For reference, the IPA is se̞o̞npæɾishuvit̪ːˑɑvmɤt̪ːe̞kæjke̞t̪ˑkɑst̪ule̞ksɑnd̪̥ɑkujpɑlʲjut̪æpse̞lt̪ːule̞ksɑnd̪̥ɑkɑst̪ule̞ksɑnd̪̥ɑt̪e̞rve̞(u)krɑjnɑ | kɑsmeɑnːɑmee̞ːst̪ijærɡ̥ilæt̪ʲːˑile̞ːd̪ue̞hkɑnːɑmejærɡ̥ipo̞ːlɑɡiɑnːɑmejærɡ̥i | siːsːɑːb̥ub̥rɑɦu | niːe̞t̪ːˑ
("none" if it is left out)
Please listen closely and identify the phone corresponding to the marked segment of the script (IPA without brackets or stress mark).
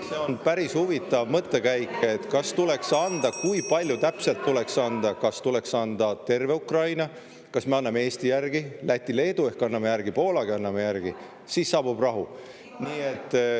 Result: u